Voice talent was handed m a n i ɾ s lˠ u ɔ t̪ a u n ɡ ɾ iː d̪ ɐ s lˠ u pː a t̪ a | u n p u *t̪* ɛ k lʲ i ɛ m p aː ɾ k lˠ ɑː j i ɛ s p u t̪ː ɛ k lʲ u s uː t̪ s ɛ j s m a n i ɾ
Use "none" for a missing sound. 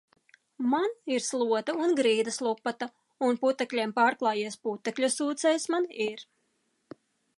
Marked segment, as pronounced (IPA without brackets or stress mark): t̪